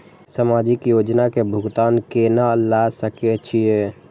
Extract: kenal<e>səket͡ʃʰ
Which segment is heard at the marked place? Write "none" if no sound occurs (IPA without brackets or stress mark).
a